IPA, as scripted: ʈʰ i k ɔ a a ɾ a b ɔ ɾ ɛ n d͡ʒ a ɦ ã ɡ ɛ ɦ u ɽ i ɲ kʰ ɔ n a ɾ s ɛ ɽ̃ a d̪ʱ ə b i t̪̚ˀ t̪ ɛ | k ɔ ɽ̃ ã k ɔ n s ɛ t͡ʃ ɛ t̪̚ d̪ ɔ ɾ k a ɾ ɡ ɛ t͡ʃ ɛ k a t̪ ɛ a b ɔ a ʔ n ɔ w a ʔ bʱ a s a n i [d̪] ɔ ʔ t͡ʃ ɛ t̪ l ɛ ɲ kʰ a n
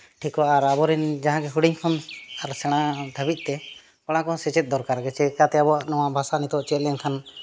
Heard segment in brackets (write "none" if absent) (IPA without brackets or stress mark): t̪